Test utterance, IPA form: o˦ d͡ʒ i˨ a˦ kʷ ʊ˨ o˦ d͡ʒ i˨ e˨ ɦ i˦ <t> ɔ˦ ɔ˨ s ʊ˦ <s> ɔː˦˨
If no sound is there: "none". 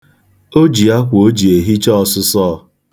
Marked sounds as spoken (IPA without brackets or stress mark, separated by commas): t͡ʃ, s